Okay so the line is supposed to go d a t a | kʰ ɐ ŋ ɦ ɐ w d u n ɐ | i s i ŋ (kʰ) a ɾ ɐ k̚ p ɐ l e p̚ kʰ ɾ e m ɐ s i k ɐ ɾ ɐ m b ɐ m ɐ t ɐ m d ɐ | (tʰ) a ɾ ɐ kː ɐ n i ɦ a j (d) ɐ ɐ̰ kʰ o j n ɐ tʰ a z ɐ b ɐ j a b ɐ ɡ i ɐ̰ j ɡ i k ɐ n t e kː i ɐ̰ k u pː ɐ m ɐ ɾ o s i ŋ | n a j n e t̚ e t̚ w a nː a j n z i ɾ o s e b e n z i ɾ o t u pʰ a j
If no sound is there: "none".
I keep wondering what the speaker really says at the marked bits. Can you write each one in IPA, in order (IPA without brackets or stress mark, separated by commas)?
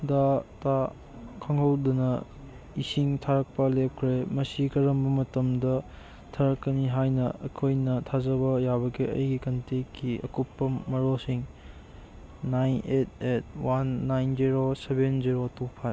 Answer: tʰ, tʰ, n